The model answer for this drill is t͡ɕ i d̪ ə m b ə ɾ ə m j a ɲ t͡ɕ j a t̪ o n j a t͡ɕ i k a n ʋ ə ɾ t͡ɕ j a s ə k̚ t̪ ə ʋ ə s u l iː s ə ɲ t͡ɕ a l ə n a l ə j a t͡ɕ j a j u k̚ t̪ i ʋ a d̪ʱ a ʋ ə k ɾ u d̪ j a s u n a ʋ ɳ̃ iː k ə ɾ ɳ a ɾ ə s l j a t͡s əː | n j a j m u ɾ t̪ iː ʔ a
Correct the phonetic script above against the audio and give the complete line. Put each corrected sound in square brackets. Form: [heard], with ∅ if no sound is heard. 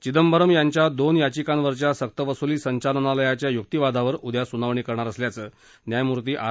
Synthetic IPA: t͡ɕ i d̪ ə m b ə ɾ ə m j a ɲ t͡ɕ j a [d̪] o n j a t͡ɕ i k a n ʋ ə ɾ t͡ɕ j a s ə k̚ t̪ ə ʋ ə s u l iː s ə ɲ t͡ɕ a l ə n a l ə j a t͡ɕ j a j u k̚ t̪ i ʋ a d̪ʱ a ʋ ə [∅] ɾ u d̪ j a s u n a ʋ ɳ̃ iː k ə ɾ ɳ a ɾ ə s l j a t͡s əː | n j a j m u ɾ t̪ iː ʔ a

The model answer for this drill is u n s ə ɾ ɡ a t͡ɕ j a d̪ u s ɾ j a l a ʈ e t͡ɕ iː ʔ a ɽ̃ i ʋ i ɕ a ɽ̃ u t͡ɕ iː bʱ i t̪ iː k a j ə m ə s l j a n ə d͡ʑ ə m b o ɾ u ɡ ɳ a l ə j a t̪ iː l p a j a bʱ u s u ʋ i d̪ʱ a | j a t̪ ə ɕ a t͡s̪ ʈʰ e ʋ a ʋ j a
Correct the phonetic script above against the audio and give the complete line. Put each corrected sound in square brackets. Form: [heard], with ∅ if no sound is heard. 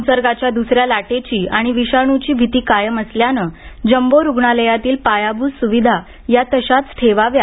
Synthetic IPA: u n s ə ɾ ɡ a t͡ɕ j a d̪ u s ɾ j a l a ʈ e t͡ɕ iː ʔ a ɽ̃ i ʋ i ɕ a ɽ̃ u t͡ɕ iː bʱ i t̪ iː k a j ə m ə s l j a n ə d͡ʑ ə m b o ɾ u ɡ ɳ a l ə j a t̪ iː l p a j a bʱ u s u ʋ i d̪ʱ a | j a t̪ ə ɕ a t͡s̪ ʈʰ e ʋ a ʋ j a

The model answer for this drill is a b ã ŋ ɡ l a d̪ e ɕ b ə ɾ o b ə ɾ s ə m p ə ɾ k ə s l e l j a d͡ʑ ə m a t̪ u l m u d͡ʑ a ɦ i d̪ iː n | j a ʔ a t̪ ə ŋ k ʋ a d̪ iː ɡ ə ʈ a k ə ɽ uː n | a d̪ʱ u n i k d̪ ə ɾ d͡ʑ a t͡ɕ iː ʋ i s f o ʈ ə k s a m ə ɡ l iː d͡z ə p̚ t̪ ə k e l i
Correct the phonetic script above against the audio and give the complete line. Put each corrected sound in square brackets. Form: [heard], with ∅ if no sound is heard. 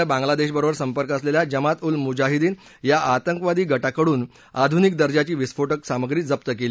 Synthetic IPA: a b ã ŋ ɡ l a d̪ e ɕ b ə ɾ o b ə ɾ s ə m p ə ɾ k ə s l e l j a d͡ʑ ə m a t̪ u l m u d͡ʑ a ɦ i d̪ iː n | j a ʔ a t̪ ə ŋ k ʋ a d̪ iː ɡ ə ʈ a k ə ɽ uː n | a d̪ʱ u n i k d̪ ə ɾ d͡ʑ a t͡ɕ iː ʋ i s f o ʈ ə k s a m ə ɡ [ɾ] iː d͡z ə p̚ t̪ ə k e l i

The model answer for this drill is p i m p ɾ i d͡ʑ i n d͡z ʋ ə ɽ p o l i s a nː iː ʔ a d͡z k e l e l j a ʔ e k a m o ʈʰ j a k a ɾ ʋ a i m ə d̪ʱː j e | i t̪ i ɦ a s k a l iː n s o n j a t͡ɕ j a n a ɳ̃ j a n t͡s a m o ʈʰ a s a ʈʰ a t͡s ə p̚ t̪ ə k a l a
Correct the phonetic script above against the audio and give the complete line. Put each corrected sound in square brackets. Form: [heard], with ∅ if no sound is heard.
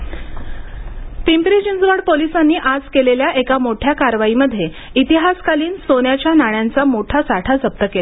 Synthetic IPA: p i m p ɾ i d͡ʑ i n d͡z ʋ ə ɽ p o l i s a nː iː ʔ a d͡z k e l e l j a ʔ e k a m o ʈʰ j a k a ɾ ʋ a i m ə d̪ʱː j e | i t̪ i ɦ a s k a l iː n s o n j a t͡ɕ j a n a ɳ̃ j a n t͡s a m o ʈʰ a s a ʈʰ a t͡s ə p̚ t̪ ə k [e] l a

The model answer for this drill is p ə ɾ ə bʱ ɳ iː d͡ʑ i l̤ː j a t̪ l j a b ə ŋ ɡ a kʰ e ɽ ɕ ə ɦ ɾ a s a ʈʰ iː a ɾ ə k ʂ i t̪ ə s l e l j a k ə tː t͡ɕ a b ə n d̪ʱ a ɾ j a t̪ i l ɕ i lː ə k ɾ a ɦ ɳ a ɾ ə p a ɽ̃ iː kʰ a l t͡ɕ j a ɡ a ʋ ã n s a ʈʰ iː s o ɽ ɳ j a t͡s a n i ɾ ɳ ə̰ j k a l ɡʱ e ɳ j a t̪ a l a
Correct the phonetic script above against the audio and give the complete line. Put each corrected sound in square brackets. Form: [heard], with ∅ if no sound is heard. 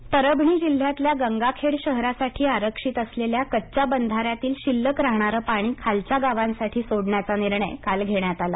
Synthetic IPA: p ə ɾ ə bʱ ɳ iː d͡ʑ i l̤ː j a t̪ l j a [ɡ] ə ŋ ɡ a kʰ e ɽ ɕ ə ɦ ɾ a s a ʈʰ iː a ɾ ə k ʂ i t̪ ə s l e l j a k ə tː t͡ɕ a b ə n d̪ʱ a ɾ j a t̪ [iː] l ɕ i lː ə k ɾ a ɦ ɳ a ɾ ə p a ɽ̃ iː kʰ a l t͡ɕ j a ɡ a ʋ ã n s a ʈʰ iː s o ɽ ɳ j a t͡s a n i ɾ ɳ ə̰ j k a l ɡʱ e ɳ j a t̪ a l a

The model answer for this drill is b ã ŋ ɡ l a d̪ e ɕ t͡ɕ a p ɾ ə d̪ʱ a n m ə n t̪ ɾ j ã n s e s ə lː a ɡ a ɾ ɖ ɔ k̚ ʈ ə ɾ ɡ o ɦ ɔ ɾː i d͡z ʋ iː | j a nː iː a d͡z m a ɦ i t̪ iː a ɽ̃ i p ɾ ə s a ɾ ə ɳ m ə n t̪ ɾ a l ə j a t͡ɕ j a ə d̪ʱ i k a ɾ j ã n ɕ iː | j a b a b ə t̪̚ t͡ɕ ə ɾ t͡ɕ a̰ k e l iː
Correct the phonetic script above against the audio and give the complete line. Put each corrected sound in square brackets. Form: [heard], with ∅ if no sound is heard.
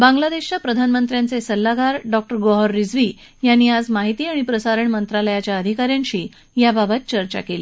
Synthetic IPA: b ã ŋ ɡ l a d̪ e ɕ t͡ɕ a p ɾ ə d̪ʱ a n m ə n t̪ ɾ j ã n [t͡s] e s ə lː a ɡ a ɾ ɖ ɔ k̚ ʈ ə ɾ ɡ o ɦ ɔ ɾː i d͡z ʋ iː | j a nː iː a d͡z m a ɦ i t̪ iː a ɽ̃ i p ɾ ə s a ɾ ə ɳ m ə n t̪ ɾ a l ə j a t͡ɕ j a ə d̪ʱ i k a ɾ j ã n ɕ iː | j a b a b ə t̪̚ t͡ɕ ə ɾ t͡ɕ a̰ k e l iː

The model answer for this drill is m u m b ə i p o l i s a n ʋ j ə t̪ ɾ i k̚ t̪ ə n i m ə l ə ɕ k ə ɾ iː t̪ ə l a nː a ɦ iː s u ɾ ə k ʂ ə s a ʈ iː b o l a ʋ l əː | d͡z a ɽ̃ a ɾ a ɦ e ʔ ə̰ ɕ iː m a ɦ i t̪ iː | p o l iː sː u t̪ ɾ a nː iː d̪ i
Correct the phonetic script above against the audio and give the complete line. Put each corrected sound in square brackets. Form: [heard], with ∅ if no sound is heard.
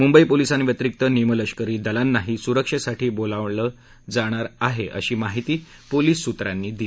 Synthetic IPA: m u m b ə i p o l i s a n ʋ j ə t̪ ɾ i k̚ t̪ ə n i m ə l ə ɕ k ə ɾ iː [d̪] ə l a nː a ɦ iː s u ɾ ə k ʂ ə s a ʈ iː b o l a ʋ l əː | d͡z a ɽ̃ a ɾ a ɦ e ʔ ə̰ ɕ iː m a ɦ i t̪ iː | p o l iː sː u t̪ ɾ a nː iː d̪ i

